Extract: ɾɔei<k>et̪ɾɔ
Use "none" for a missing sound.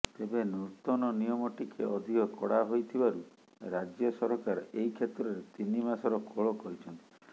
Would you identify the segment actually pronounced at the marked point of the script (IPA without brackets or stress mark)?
kʰ